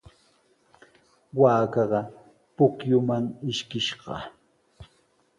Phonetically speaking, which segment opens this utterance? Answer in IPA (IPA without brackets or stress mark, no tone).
w